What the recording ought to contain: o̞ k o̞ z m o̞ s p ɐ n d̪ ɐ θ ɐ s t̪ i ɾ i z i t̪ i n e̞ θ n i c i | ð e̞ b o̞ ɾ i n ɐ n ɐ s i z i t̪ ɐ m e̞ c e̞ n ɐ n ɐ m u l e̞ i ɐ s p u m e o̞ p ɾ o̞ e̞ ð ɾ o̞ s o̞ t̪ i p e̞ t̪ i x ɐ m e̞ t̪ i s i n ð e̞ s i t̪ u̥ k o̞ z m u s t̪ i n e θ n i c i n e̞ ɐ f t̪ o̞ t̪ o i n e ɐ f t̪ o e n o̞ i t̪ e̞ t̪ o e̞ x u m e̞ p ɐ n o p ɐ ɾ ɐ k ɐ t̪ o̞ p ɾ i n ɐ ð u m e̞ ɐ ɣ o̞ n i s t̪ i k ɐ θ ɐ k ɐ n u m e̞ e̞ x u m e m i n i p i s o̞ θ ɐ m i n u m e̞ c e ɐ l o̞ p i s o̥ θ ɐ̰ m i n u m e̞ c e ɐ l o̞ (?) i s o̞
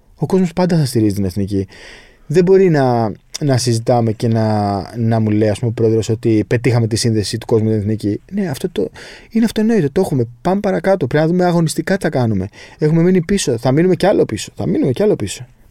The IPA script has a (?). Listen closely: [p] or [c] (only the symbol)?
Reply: p